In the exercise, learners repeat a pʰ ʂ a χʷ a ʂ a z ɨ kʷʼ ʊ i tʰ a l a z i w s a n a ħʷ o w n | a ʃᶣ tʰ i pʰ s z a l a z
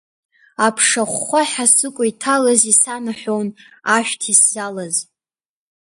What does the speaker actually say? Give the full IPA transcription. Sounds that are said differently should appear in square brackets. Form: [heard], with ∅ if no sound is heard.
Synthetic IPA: a pʰ ʂ a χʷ a [ħ] a [s] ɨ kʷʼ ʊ i tʰ a l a z i [∅] s a n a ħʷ o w n | a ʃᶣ tʰ i [∅] s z a l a z